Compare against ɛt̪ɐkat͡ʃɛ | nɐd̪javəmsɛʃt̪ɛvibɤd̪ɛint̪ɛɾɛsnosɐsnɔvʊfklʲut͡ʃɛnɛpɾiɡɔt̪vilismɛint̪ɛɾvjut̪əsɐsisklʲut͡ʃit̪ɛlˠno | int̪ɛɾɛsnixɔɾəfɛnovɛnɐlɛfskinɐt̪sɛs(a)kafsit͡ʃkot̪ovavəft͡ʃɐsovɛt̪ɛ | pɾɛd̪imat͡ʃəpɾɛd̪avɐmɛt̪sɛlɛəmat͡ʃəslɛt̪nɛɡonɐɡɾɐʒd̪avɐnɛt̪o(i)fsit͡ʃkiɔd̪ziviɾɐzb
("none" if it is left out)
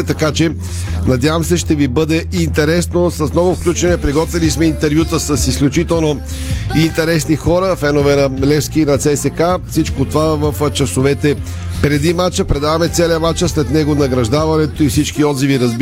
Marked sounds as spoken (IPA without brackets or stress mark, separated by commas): ɛ, i